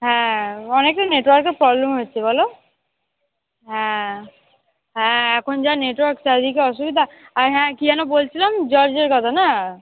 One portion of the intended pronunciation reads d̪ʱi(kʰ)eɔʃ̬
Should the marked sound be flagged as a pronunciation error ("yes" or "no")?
yes